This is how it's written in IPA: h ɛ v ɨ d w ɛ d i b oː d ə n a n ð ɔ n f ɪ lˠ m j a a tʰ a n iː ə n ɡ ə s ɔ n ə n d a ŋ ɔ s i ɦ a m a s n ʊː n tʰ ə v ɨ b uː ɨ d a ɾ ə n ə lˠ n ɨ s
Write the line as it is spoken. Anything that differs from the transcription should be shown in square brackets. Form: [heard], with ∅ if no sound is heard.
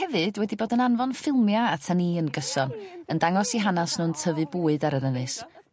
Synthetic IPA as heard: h ɛ v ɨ d w ɛ d i b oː d ə n a n [v] ɔ n f ɪ lˠ m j a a tʰ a n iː ə n ɡ ə s ɔ n ə n d a ŋ ɔ s i ɦ a [n] a s n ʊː n tʰ ə v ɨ b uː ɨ d a ɾ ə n ə [∅] n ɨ s

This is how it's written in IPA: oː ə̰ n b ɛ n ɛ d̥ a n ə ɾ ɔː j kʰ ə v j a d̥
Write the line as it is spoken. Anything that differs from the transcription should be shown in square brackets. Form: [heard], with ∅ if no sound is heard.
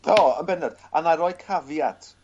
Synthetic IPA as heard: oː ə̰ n b ɛ n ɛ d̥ a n [a] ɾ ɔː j kʰ [a] v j a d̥

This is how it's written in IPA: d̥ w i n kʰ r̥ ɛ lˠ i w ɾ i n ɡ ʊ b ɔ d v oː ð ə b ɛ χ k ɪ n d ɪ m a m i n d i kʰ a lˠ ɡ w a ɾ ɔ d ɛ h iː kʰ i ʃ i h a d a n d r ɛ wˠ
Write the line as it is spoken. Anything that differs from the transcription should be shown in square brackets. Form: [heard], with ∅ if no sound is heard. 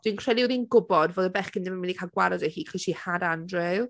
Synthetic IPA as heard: d̥ w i n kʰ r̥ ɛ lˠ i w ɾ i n ɡ ʊ b ɔ d v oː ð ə b ɛ χ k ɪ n d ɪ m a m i n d i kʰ a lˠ ɡ w a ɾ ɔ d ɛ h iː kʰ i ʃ i h a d a n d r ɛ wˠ

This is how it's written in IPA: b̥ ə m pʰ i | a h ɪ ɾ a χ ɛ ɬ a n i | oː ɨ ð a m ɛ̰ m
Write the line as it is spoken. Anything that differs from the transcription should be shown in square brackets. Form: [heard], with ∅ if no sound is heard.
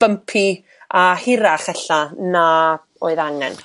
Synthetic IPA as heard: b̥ ə m pʰ i | a h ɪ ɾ a χ ɛ ɬ a n [a] | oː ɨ ð a [ŋ] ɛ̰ [n]

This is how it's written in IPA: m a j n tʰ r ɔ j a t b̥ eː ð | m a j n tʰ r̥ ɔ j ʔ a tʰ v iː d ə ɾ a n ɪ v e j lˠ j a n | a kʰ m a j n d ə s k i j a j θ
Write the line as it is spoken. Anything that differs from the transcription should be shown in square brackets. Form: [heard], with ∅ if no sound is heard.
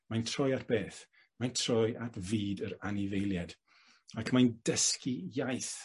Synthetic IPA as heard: m a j n tʰ r ɔ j a t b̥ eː [θ] | m a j n tʰ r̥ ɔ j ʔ a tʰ v iː d ə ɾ a n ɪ v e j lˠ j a [d] | a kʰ m a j n d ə s k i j a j θ

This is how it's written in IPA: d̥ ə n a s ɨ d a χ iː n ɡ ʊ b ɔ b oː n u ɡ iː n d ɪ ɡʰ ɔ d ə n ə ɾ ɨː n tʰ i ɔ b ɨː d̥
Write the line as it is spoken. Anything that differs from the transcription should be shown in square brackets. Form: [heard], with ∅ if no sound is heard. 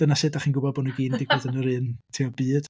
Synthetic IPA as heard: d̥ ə n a s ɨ d a χ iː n ɡ ʊ b ɔ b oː n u ɡ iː n d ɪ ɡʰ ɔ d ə n ə ɾ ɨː n tʰ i ɔ b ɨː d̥

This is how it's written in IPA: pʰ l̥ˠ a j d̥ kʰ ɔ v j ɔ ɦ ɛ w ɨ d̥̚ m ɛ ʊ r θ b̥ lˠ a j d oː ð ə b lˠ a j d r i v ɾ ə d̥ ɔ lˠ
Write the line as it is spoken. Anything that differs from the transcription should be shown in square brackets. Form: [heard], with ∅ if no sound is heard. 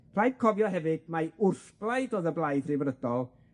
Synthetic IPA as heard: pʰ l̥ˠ a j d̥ kʰ ɔ v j ɔ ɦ ɛ [v] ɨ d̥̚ m [a] ʊ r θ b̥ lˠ a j d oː ð ə b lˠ a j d r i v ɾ ə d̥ ɔ lˠ

